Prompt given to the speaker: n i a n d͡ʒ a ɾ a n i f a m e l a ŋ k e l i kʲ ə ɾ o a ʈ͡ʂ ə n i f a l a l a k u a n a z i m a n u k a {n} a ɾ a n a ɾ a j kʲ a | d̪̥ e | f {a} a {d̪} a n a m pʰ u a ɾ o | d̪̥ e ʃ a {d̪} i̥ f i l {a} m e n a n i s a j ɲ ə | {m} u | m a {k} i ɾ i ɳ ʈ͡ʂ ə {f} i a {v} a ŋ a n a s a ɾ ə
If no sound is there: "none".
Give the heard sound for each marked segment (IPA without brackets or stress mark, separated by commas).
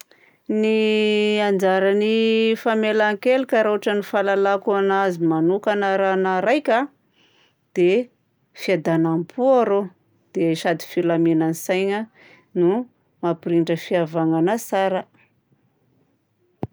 n, i, d̪, d̪, a, n, p, f, v